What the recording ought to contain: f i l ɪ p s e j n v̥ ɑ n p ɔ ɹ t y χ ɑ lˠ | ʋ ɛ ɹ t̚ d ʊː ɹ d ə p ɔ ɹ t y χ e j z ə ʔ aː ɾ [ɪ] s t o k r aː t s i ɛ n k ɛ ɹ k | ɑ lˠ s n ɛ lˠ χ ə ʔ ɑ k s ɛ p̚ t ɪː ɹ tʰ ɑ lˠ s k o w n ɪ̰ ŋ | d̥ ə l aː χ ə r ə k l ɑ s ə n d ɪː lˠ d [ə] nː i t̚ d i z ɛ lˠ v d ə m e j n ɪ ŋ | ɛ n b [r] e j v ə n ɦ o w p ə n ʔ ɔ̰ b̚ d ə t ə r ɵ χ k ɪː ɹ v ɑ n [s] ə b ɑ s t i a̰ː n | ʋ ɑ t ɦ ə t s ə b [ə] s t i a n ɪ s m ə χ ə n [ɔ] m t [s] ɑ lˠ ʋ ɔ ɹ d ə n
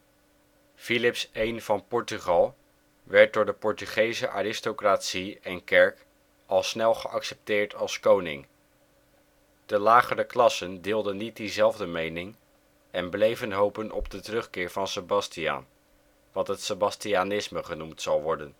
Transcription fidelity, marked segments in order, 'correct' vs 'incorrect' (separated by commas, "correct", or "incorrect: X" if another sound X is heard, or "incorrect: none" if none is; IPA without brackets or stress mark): correct, correct, incorrect: l, correct, incorrect: ɑ, incorrect: u, correct